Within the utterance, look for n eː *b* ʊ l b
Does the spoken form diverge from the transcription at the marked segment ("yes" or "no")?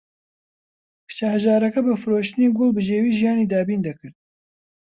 yes